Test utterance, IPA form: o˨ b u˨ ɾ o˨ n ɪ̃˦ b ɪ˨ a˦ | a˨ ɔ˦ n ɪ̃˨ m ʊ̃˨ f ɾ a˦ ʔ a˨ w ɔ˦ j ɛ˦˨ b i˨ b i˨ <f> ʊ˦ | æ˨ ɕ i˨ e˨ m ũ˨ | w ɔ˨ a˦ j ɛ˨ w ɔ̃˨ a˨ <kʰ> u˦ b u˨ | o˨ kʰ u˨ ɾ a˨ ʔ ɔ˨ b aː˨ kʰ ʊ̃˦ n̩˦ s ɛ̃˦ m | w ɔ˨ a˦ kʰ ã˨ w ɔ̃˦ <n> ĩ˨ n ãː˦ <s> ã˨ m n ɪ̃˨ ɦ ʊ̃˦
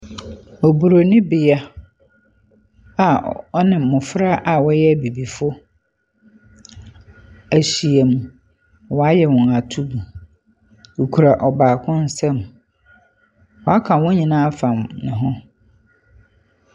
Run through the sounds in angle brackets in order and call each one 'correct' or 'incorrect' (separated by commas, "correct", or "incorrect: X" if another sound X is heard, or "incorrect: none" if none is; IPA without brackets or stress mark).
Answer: correct, incorrect: tʰ, incorrect: ɲ, incorrect: f